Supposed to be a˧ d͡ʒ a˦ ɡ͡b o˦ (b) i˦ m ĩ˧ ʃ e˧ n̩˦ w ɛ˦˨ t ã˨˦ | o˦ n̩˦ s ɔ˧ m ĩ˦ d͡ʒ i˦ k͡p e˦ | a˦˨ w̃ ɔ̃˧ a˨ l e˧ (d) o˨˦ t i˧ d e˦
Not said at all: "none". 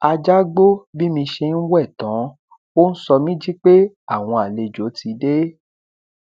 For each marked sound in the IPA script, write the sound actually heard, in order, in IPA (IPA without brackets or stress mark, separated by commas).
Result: b, d͡ʒ